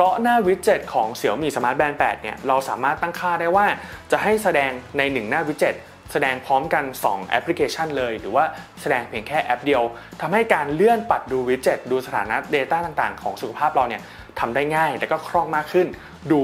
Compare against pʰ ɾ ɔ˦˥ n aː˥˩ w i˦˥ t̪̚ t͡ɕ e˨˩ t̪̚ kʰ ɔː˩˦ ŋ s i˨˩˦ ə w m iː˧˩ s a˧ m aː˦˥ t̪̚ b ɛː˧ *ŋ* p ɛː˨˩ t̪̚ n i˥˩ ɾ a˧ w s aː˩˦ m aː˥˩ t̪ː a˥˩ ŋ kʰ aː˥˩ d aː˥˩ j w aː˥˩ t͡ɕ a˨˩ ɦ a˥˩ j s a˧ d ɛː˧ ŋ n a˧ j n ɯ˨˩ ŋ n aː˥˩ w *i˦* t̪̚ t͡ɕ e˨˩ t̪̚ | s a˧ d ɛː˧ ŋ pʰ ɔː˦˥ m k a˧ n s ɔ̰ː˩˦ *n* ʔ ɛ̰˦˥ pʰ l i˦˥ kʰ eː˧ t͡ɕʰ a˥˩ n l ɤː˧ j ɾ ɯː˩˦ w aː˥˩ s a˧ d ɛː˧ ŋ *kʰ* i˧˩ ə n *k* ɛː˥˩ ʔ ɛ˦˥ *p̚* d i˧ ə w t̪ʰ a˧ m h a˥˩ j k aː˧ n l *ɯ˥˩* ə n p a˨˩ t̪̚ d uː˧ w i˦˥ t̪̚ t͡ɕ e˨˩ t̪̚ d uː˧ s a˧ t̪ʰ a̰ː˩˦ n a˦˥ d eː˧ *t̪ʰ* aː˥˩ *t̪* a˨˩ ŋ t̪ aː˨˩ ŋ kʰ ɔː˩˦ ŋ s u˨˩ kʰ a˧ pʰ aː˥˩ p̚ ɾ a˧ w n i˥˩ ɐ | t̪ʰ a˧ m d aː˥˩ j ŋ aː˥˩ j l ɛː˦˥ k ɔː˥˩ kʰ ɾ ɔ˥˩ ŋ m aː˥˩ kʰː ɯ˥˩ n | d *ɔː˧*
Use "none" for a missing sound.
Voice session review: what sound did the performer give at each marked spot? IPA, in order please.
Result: n, i˦, ŋ, pʰ, kʰ, p̚, ɯ˥˩, t̪, t̪, uː˧

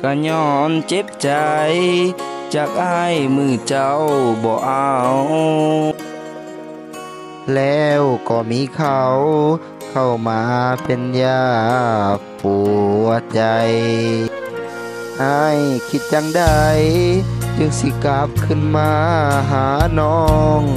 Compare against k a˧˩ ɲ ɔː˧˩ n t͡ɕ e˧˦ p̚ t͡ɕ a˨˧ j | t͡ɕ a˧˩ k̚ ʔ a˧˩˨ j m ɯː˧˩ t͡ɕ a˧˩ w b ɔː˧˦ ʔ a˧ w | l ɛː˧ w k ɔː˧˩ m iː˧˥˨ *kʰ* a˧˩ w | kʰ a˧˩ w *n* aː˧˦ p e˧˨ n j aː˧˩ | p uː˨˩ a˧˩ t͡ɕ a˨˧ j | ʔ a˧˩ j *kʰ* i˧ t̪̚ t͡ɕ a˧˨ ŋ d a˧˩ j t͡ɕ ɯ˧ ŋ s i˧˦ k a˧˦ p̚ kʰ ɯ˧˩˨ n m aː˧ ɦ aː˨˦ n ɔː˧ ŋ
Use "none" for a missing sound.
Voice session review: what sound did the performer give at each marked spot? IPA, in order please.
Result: kʰ, m, kʰ

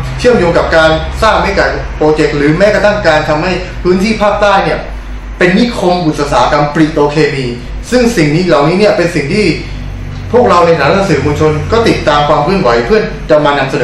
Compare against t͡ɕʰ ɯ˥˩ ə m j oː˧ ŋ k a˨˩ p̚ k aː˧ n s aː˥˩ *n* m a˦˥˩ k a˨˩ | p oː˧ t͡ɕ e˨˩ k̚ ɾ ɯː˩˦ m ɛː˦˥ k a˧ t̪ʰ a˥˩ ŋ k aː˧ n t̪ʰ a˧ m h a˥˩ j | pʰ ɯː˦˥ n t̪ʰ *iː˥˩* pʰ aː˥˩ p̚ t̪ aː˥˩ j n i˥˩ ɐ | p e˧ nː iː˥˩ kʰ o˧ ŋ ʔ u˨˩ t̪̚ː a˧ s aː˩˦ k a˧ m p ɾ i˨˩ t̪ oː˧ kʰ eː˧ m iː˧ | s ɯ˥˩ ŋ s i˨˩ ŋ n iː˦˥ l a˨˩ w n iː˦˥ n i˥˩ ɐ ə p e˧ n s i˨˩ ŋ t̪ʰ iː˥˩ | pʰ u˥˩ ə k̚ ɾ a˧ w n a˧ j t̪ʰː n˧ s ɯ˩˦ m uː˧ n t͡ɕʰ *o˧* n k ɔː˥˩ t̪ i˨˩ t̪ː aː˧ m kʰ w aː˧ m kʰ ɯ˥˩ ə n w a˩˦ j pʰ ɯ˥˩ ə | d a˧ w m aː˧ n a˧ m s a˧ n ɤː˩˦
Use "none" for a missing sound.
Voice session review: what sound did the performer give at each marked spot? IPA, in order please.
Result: ŋ, iː˥˩, o˧

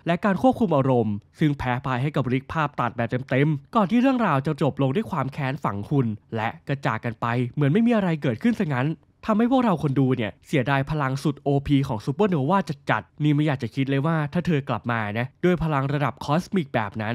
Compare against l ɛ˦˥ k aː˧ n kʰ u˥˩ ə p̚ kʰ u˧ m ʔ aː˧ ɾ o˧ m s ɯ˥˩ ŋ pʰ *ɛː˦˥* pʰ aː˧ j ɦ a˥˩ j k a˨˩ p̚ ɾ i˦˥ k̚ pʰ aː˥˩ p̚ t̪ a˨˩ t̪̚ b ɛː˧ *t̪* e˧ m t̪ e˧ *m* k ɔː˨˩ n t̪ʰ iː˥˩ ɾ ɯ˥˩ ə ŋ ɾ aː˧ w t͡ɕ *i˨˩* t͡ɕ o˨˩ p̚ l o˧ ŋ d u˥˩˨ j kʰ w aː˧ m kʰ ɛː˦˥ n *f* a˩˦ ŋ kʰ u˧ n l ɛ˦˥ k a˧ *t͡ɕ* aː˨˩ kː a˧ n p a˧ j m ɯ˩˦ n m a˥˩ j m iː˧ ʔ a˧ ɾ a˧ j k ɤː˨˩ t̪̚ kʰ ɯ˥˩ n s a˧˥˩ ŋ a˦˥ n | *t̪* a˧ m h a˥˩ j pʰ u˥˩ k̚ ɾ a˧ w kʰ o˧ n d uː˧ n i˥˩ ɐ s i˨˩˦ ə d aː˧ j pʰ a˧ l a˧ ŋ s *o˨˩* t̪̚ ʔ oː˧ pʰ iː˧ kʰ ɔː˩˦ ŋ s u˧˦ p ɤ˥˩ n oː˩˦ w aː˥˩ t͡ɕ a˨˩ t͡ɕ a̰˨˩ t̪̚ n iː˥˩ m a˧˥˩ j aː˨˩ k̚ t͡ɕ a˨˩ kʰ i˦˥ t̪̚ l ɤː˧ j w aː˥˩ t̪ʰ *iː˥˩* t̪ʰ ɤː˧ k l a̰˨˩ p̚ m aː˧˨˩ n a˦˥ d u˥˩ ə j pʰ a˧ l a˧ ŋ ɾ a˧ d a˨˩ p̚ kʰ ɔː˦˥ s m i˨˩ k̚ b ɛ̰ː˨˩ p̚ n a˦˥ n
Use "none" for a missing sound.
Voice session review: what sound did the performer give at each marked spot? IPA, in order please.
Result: ɛː˦˥, t̪, m, a˨˩, f, t͡ɕ, t̪ʰ, u˨˩, aː˥˩

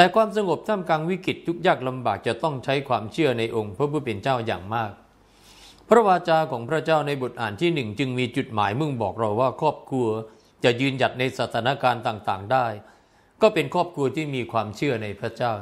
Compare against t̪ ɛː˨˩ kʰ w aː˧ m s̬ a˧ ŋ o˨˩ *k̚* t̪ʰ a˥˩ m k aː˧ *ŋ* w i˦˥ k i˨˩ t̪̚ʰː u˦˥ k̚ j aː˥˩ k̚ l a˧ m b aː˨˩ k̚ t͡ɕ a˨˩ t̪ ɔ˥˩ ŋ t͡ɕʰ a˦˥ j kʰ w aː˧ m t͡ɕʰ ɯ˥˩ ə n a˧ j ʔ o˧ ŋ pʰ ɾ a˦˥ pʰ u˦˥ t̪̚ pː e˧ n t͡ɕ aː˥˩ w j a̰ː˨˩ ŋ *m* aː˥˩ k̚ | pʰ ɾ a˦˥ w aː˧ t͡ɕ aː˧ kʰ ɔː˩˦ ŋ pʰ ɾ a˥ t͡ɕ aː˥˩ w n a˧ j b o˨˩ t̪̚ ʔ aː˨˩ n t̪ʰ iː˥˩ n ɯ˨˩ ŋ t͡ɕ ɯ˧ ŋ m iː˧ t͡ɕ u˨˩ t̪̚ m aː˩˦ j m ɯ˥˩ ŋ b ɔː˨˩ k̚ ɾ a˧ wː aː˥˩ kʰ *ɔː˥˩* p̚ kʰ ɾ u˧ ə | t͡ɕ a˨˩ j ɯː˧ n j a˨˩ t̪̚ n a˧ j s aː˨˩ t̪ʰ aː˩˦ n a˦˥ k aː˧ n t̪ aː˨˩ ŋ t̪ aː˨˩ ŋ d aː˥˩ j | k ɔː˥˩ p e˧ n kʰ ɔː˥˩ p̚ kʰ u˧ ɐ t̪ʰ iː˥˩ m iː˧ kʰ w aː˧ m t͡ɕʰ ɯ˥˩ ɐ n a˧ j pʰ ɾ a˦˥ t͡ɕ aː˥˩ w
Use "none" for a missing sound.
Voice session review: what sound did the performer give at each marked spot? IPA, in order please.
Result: p̚, ŋ, m, ɔː˥˩

